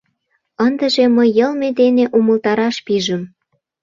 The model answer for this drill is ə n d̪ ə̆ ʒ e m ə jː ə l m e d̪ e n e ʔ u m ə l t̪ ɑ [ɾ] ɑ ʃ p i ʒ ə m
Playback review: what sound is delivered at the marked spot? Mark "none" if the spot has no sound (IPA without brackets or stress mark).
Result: ɾ